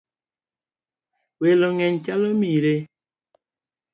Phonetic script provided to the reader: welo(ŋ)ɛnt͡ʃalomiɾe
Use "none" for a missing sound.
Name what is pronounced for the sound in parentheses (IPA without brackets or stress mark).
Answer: ŋ